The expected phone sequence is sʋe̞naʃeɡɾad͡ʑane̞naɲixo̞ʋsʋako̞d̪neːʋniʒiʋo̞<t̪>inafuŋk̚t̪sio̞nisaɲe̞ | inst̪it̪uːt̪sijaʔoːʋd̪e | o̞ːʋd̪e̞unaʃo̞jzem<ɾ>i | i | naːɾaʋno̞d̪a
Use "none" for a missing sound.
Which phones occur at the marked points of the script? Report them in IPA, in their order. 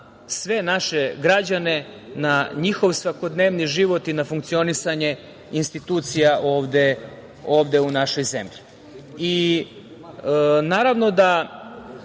t̪, ʎ

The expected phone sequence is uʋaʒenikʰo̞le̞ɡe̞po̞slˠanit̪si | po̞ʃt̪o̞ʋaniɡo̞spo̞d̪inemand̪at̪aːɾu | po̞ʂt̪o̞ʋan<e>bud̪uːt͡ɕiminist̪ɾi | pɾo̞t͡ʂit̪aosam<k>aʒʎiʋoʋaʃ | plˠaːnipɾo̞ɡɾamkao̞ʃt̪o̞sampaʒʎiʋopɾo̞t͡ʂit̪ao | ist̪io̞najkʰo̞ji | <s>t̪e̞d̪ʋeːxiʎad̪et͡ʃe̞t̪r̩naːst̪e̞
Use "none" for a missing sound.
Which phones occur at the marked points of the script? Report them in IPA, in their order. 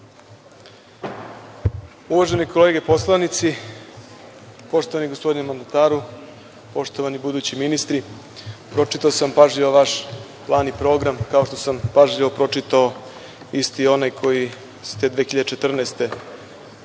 i, p, s

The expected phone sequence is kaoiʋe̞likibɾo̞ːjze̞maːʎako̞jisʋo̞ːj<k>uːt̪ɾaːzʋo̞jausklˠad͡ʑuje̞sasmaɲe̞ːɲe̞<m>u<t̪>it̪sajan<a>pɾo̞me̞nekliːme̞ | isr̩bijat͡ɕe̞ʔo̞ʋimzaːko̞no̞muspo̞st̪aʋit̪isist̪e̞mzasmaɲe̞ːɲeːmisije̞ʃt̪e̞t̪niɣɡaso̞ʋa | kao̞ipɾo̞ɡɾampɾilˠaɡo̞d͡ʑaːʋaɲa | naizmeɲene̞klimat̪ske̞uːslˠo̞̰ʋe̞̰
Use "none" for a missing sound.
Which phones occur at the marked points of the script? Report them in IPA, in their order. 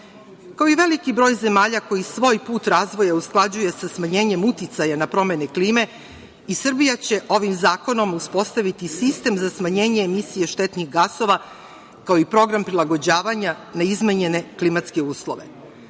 p, m, t̪, a

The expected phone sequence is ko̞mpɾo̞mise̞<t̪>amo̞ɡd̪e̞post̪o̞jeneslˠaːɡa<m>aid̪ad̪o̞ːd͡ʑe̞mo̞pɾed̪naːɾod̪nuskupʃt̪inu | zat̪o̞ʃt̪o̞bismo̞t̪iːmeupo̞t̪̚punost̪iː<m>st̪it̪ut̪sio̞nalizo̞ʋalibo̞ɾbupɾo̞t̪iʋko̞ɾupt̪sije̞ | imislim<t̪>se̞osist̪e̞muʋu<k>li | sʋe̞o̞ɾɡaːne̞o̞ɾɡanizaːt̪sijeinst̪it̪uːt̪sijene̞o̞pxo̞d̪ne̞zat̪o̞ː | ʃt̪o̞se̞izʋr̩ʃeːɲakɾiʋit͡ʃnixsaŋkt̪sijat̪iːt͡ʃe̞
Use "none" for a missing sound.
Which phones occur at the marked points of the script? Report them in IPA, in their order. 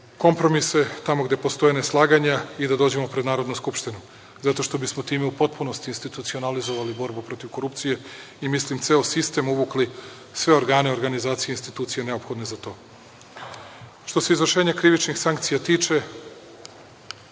t̪, ɲ, n, t̪, k

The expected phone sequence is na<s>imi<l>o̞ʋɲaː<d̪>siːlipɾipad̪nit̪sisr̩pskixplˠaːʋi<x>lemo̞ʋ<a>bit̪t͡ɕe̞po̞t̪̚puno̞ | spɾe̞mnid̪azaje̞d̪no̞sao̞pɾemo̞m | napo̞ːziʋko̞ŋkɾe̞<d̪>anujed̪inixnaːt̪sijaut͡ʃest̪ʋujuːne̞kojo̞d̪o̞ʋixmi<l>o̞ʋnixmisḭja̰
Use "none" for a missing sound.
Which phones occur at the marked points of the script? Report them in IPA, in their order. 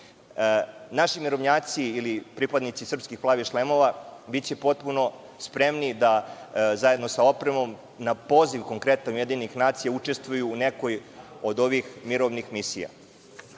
ʃ, ɾ, t̪, ʃ, a, t̪, ɾ

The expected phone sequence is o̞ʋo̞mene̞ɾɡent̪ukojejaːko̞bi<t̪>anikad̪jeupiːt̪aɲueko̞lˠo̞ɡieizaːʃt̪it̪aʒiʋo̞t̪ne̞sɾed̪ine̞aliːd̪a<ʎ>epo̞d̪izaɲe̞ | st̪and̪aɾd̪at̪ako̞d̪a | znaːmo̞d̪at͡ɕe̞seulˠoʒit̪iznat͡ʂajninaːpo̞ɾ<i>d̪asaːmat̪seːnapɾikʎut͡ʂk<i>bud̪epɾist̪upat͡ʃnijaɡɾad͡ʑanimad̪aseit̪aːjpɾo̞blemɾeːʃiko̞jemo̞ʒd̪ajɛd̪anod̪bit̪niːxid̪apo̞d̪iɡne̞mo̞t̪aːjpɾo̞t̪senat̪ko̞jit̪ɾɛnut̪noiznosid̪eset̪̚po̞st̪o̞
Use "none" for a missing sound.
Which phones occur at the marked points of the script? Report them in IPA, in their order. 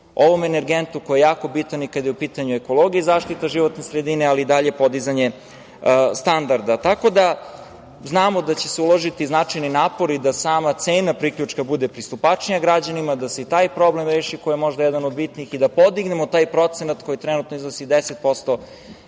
t̪, ʎ, i, a

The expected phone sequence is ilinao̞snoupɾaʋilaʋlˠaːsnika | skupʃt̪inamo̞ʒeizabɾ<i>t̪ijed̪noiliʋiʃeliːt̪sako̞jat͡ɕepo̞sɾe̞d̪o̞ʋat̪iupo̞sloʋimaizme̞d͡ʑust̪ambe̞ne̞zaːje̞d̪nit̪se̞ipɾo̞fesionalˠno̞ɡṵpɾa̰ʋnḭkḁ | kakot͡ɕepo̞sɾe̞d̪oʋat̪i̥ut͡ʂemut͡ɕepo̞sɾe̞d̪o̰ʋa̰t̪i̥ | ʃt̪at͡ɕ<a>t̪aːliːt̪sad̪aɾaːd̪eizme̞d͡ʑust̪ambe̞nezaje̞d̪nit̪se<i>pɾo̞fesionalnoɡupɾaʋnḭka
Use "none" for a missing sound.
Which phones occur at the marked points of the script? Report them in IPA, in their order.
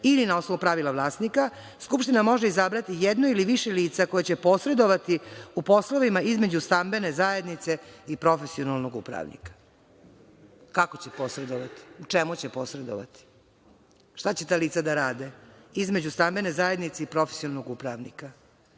a, e, i

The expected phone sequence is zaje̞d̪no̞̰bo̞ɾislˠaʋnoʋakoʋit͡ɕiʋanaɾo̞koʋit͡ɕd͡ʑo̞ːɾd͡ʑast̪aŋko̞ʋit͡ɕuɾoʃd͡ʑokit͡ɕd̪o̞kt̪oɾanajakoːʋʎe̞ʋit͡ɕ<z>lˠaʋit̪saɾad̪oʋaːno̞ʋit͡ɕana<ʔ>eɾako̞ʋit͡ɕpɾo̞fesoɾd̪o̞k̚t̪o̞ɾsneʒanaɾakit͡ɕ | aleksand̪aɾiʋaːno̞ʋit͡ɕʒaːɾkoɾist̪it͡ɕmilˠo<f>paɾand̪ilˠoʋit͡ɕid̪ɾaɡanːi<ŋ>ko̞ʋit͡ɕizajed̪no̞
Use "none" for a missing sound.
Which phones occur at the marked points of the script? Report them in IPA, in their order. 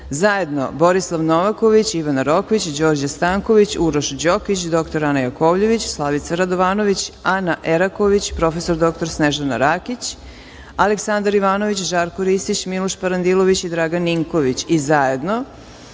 s, ʔ, ʃ, ŋ

